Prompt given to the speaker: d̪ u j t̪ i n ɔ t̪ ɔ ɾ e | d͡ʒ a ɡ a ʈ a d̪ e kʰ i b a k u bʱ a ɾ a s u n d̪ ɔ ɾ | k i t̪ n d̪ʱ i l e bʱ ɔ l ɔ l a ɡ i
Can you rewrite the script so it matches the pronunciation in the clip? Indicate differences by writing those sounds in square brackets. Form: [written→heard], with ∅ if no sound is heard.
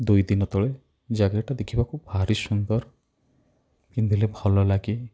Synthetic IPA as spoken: d̪ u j [t̪→d̪] i n ɔ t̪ ɔ [ɾ→ɭ] e | d͡ʒ a ɡ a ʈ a d̪ e kʰ i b a k u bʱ a ɾ [a→i] s u n d̪ ɔ ɾ | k i [t̪→∅] n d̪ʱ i l e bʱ ɔ l ɔ l a ɡ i